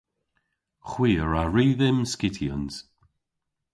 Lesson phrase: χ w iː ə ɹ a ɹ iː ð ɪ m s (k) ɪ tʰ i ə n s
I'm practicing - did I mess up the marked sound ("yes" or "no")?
no